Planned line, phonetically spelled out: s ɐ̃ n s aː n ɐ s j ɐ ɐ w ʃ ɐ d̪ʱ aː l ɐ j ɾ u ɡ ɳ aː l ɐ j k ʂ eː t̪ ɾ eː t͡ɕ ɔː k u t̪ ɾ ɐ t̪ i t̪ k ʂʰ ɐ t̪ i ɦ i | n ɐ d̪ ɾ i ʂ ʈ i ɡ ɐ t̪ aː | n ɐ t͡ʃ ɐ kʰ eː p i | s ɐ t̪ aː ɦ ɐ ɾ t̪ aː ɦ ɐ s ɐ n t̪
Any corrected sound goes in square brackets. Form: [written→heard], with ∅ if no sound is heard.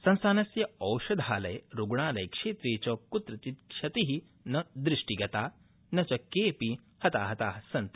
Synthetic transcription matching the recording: s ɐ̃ n s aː n ɐ s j ɐ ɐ w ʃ ɐ d̪ʱ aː l ɐ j ɾ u ɡ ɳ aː l ɐ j k ʂ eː t̪ ɾ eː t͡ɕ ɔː k u t̪ ɾ ɐ t̪ i t̪ k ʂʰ ɐ t̪ i ɦ i | n ɐ d̪ ɾ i ʂ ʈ i ɡ ɐ t̪ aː | n ɐ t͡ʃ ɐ [kʰ→k] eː p i | [s→h] ɐ t̪ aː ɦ ɐ [ɾ→∅] t̪ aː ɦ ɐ s ɐ n t̪